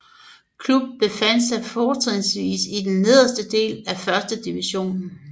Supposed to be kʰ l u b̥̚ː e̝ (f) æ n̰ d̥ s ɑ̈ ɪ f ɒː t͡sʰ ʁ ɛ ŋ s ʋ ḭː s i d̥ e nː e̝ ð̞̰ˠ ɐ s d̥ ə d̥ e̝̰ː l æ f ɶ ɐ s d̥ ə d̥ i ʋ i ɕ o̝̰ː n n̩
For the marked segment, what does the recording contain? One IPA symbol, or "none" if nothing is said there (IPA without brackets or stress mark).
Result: f